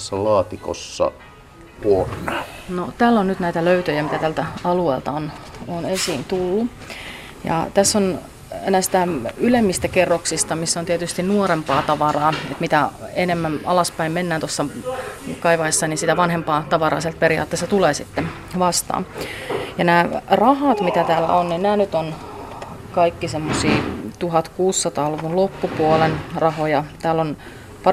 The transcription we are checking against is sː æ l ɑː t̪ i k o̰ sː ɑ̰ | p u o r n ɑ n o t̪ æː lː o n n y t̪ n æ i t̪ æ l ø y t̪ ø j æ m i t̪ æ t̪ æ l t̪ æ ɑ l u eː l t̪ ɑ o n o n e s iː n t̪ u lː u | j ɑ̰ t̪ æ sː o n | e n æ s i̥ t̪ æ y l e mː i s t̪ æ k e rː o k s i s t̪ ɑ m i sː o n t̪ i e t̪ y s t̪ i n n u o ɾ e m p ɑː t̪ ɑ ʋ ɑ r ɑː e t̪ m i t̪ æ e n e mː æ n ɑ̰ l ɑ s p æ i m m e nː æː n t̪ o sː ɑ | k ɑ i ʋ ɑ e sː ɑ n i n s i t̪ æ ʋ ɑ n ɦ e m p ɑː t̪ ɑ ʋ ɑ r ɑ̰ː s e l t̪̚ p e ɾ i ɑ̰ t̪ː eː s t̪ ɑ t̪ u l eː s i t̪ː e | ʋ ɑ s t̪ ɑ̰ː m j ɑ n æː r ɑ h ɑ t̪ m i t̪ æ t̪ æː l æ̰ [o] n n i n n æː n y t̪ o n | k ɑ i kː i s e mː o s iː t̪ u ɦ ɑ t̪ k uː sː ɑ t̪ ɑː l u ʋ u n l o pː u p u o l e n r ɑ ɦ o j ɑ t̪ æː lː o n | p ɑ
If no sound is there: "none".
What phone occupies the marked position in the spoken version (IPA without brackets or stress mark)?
o